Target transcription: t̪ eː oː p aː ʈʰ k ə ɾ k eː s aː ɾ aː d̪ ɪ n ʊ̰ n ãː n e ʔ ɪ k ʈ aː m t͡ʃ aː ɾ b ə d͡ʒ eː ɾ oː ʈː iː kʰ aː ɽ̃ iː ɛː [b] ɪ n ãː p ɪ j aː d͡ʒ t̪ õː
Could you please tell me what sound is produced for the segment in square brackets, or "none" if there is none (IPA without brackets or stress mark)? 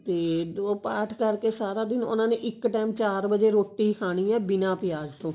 b